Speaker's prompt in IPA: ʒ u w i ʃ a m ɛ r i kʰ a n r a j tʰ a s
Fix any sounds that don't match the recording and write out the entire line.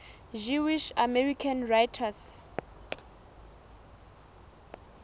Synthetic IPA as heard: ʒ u w i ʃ a m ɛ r i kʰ a n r a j tʰ a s